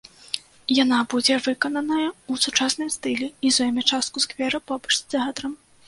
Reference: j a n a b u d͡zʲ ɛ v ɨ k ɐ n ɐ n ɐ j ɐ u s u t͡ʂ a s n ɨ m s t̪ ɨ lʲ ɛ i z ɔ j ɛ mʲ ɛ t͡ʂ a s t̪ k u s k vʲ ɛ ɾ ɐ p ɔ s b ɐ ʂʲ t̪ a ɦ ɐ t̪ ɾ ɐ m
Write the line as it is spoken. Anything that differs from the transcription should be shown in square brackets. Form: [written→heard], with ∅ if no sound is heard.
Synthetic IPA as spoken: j a n a b u d͡zʲ ɛ v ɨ k ɐ n ɐ n ɐ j ɐ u s u t͡ʂ a s n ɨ m s t̪ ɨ lʲ ɛ i z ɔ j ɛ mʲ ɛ t͡ʂ a s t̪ k u s k vʲ ɛ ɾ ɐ p ɔ [s→∅] b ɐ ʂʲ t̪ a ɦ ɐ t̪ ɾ ɐ m